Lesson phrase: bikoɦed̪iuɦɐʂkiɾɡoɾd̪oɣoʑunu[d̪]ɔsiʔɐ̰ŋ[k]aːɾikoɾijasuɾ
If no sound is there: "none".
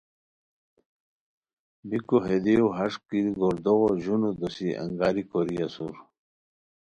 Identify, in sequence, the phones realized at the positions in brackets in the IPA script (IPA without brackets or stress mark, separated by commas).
d̪, ɡ